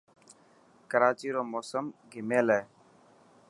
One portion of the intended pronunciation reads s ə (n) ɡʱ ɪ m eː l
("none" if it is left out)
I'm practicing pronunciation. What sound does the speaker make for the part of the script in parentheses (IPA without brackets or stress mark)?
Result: m